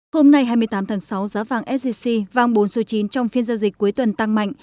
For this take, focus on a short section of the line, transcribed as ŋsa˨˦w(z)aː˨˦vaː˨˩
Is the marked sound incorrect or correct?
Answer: correct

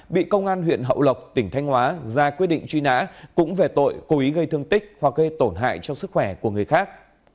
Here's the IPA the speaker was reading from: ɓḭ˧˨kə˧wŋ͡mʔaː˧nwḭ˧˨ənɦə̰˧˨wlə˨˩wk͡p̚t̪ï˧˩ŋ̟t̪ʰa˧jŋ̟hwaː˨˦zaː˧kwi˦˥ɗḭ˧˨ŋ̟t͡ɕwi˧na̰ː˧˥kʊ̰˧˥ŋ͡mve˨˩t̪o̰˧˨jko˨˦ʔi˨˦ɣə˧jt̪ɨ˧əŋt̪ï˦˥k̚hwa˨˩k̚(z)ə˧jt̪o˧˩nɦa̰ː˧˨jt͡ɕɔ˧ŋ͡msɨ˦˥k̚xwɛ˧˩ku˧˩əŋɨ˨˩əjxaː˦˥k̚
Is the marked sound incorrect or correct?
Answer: incorrect: ɣ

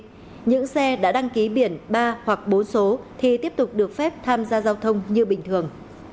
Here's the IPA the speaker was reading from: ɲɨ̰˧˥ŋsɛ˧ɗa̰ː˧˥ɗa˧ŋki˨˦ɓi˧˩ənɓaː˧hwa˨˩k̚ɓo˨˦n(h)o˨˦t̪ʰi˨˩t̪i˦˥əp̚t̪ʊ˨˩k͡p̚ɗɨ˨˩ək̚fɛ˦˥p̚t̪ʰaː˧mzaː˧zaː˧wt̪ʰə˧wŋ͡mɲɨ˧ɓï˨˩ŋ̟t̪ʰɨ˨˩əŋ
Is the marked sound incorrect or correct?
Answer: incorrect: s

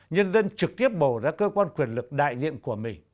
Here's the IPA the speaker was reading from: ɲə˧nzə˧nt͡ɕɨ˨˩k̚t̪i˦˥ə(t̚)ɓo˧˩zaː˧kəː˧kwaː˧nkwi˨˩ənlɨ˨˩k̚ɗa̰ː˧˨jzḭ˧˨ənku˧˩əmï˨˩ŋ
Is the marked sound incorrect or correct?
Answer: incorrect: p̚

